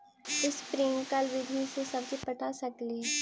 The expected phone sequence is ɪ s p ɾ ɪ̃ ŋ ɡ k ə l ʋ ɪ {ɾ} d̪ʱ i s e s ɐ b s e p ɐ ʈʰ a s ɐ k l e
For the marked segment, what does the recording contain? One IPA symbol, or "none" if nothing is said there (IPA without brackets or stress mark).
none